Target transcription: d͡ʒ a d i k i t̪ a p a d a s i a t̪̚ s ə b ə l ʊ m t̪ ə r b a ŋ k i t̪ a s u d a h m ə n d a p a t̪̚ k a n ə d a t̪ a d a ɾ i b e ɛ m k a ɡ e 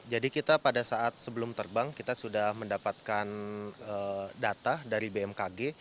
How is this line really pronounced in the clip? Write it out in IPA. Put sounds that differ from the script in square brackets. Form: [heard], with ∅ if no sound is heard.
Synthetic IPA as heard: d͡ʒ a d i k i t̪ a p a d a s [a] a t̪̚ s ə b ə l ʊ m t̪ ə r b a ŋ k i t̪ a s u d a h m ə n d a p a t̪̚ k a n ə d a t̪ a d a ɾ i b e ɛ m k a ɡ e